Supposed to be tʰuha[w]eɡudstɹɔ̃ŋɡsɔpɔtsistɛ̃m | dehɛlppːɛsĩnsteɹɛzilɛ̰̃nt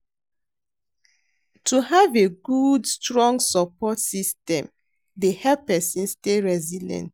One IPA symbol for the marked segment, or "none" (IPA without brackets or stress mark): v